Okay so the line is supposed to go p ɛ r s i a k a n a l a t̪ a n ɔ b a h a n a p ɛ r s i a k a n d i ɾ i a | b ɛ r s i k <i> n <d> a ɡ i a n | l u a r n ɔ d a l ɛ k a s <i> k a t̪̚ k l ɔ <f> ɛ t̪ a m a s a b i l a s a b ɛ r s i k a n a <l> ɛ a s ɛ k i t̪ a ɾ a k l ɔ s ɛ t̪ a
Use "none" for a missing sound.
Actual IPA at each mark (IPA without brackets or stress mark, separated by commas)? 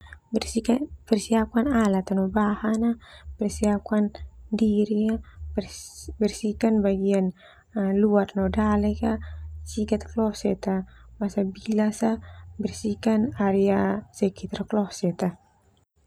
a, b, i, s, ɾ